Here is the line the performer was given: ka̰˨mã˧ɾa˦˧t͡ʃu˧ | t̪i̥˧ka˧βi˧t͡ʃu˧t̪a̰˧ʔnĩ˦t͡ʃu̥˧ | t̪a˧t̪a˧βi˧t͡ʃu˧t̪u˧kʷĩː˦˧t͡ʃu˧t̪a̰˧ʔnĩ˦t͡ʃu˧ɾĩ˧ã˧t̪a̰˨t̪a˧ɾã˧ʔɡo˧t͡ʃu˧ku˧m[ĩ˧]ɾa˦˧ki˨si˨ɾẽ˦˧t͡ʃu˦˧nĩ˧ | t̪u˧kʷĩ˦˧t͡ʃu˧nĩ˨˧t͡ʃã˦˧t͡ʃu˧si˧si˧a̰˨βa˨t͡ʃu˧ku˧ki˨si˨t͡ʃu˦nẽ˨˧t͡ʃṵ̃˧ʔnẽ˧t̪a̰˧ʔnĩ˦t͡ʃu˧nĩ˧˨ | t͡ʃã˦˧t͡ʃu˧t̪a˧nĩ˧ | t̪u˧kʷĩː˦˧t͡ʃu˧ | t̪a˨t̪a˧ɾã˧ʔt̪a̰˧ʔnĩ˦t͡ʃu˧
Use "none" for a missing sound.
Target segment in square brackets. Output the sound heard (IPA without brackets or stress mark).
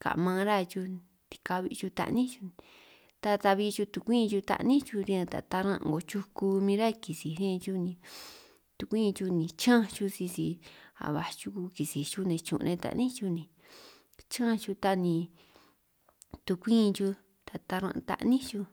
ĩ˧